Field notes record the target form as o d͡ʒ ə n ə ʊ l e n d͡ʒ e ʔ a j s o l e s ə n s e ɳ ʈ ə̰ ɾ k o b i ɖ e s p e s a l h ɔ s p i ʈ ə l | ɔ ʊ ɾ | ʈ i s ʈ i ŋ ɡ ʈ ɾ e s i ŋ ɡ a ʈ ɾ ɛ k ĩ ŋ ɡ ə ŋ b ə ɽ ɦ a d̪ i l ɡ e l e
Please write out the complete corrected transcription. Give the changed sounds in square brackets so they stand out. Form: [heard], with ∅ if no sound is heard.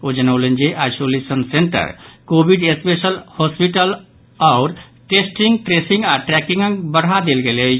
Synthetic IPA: o d͡ʒ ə n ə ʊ l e n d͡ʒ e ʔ a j s o l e s ə n s e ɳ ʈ ə̰ ɾ k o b i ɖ e s p e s [ə] l h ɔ s p i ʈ ə l | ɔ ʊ ɾ | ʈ [e] s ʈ i ŋ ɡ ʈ ɾ e s i ŋ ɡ a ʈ ɾ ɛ k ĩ ŋ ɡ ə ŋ b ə ɽ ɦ a d̪ [e] l ɡ e l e